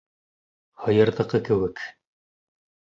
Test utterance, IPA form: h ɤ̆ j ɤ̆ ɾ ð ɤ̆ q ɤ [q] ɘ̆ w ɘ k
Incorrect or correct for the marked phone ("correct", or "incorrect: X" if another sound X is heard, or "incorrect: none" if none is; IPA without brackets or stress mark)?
incorrect: k